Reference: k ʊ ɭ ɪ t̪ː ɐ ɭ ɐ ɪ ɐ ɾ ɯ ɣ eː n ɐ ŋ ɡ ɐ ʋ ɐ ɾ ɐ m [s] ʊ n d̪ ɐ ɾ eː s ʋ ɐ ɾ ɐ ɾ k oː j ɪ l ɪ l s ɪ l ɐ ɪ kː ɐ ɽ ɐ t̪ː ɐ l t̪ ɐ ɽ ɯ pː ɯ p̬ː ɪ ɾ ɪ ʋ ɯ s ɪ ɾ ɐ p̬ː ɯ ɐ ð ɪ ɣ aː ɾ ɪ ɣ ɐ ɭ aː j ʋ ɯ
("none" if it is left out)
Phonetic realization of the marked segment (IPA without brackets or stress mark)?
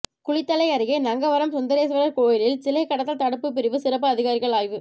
s